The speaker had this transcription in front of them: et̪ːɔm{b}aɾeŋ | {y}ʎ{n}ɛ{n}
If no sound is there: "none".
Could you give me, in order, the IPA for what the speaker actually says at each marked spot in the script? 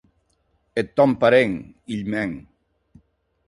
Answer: p, i, m, ŋ

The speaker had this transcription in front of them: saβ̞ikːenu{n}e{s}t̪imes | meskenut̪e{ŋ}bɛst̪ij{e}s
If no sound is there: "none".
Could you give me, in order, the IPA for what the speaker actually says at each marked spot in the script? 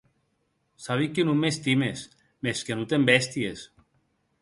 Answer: m, s, m, e

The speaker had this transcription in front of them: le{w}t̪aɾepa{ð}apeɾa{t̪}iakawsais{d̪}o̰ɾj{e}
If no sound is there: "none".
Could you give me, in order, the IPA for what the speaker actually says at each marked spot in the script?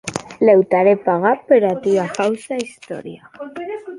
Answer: w, ɣ, t̪, t̪, a

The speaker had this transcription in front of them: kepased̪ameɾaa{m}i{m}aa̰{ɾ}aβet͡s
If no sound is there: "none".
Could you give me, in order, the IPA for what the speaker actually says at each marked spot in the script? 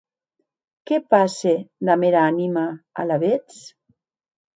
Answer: n, m, l

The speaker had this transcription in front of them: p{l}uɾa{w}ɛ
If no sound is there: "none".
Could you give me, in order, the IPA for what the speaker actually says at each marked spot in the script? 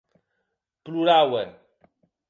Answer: l, w

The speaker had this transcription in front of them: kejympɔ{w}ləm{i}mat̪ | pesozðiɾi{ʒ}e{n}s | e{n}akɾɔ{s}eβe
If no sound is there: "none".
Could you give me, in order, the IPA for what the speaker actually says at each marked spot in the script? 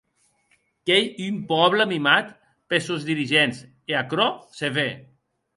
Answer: β, i, ʒ, n, none, s

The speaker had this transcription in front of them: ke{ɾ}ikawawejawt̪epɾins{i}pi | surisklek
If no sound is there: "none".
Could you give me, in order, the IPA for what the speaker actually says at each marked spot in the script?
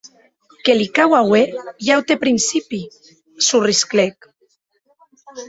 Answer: l, i

